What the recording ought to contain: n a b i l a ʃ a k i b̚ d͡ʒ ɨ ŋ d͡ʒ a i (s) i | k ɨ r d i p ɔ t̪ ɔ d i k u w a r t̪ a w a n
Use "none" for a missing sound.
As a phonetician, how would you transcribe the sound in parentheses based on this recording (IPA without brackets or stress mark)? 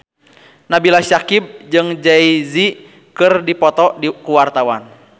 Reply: z